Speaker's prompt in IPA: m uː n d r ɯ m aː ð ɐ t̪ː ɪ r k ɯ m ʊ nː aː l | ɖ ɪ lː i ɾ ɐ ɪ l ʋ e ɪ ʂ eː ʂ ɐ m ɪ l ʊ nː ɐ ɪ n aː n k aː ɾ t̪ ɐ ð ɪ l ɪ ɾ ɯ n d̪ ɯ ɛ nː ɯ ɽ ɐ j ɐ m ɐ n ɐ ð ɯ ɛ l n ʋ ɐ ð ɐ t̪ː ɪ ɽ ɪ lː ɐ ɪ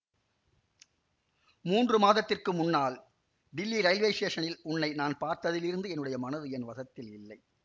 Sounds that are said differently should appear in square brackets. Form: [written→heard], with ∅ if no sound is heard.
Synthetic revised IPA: m uː n d r ɯ m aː ð ɐ t̪ː ɪ r k ɯ m ʊ nː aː l | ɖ ɪ lː i ɾ ɐ ɪ l ʋ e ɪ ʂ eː ʂ ɐ [m→n] ɪ l ʊ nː ɐ ɪ n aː n [k→p] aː ɾ t̪ ɐ ð ɪ l ɪ ɾ ɯ n d̪ ɯ ɛ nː ɯ ɽ ɐ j ɐ m ɐ n ɐ ð ɯ ɛ [l→∅] n ʋ ɐ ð ɐ t̪ː ɪ [ɽ→l] ɪ lː ɐ ɪ